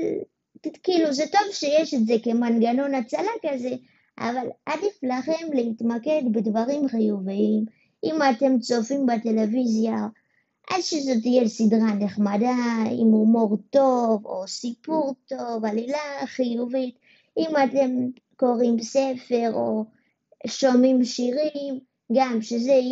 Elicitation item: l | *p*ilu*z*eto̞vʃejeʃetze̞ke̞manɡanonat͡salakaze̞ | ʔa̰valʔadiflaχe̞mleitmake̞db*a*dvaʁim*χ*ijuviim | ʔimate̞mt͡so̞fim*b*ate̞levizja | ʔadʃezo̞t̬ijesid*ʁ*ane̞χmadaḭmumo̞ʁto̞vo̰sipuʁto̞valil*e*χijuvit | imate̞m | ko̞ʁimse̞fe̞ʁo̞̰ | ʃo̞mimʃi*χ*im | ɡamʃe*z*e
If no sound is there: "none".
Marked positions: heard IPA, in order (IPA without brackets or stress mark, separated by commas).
k, z, e, χ, b, ʁ, a, ʁ, z